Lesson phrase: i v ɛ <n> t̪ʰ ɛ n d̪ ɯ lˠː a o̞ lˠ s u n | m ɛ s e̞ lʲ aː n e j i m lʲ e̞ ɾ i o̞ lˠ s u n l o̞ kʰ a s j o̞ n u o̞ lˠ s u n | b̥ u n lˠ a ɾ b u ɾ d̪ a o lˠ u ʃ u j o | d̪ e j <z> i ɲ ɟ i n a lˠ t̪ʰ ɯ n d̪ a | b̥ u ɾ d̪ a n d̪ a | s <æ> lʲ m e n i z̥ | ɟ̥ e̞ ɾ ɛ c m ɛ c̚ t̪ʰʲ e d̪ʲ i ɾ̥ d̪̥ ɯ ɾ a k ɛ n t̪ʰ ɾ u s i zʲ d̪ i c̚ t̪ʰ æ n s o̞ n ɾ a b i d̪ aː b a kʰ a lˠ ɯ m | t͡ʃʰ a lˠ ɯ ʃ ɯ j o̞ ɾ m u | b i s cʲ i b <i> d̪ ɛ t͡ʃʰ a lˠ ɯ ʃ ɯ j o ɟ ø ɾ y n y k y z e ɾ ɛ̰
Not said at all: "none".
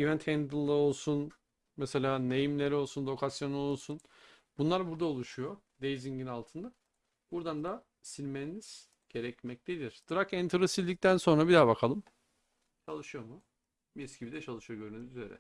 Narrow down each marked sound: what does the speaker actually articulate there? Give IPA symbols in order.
n, z, i, i

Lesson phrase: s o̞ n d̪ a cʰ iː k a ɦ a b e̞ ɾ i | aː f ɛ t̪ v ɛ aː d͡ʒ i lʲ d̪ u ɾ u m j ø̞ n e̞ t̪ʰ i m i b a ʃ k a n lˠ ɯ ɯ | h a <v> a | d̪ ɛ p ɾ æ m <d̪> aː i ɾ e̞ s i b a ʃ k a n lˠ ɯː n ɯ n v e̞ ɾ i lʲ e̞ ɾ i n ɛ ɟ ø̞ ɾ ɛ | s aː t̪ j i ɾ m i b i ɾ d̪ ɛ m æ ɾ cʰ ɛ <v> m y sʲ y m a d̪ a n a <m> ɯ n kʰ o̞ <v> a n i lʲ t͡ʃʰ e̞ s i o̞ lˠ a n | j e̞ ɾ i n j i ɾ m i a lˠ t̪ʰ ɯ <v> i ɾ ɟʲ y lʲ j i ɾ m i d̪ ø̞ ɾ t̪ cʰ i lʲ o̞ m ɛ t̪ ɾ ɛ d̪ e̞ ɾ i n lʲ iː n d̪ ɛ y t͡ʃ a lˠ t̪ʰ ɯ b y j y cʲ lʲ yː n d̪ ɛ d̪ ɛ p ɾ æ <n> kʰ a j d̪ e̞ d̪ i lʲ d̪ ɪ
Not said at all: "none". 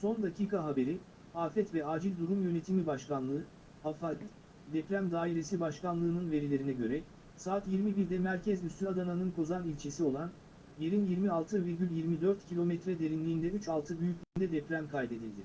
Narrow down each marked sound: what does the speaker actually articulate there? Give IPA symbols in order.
f, d̪, z, n, z, v, m

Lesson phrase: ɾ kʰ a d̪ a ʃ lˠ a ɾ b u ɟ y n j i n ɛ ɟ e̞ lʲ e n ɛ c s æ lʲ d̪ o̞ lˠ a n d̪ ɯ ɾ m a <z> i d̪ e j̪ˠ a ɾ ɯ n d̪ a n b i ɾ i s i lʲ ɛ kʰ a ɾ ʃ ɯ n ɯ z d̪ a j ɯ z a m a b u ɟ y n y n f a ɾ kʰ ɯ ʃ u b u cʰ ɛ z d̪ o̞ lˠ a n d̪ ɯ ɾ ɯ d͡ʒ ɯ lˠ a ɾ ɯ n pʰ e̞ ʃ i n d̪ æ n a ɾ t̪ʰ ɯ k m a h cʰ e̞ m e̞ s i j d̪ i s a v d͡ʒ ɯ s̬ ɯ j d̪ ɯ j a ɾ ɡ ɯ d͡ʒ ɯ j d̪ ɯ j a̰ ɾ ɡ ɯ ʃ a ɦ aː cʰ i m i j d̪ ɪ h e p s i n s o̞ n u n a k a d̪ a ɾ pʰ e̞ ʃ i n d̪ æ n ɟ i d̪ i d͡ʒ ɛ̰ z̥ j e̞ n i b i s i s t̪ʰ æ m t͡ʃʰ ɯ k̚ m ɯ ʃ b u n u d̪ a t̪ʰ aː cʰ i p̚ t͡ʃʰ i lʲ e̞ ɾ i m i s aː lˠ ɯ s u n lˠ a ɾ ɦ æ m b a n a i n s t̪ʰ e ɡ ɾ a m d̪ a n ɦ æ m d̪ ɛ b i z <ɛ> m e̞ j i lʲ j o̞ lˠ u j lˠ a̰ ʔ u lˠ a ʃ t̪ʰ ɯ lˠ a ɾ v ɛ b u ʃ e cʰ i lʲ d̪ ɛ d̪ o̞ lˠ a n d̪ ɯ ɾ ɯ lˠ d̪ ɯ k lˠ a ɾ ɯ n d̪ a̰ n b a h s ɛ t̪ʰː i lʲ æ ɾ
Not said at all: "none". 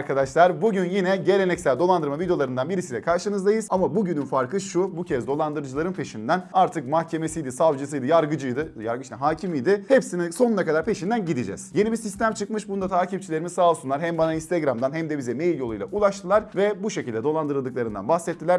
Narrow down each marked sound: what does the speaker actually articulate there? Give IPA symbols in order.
v, ɛ

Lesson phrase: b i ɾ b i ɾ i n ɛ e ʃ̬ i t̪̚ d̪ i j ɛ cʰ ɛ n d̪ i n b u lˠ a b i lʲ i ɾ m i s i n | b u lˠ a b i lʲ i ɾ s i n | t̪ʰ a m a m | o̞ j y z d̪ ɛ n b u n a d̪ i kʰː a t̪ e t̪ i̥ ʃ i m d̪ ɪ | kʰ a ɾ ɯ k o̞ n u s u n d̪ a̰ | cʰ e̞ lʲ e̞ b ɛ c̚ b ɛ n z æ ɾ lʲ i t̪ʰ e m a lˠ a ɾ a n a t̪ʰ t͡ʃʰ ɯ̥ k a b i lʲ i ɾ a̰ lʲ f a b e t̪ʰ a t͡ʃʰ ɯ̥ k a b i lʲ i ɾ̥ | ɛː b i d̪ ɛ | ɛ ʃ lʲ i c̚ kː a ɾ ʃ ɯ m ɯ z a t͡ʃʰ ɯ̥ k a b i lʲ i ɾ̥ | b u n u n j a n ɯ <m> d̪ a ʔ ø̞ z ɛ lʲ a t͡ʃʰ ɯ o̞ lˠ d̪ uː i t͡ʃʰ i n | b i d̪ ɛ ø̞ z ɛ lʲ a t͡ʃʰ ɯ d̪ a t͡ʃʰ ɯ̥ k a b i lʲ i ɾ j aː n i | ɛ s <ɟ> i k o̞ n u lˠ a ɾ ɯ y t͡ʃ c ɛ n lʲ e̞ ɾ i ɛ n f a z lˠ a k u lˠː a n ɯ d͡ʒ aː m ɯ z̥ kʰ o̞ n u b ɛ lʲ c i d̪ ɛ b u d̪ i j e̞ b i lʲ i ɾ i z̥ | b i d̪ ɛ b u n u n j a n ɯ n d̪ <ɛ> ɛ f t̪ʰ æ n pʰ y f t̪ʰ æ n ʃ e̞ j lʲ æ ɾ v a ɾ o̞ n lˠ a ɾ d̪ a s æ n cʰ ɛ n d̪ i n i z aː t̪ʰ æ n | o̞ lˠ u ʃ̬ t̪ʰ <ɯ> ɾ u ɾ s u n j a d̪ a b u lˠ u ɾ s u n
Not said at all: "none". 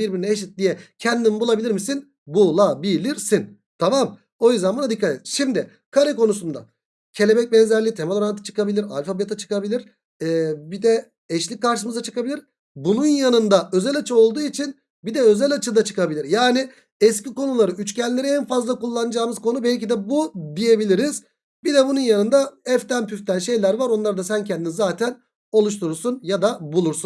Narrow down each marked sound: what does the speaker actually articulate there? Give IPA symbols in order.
n, c, a, u

